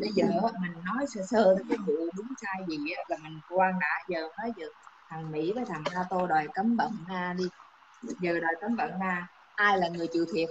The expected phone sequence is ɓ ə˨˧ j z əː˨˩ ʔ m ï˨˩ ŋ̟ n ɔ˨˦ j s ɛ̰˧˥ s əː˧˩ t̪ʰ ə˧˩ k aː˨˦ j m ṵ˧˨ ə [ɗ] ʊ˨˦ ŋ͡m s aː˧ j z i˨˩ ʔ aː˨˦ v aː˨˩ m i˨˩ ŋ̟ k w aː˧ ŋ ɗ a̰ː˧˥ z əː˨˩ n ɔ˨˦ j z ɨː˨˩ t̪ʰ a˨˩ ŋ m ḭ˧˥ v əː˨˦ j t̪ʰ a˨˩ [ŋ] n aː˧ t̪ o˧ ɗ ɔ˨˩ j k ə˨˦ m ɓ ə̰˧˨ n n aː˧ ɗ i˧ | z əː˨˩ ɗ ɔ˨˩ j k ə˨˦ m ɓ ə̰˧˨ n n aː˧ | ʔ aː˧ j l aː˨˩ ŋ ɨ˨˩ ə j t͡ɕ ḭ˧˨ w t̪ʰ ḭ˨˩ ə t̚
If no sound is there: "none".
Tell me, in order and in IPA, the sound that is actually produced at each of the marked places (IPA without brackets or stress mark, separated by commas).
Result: ɗ, ŋ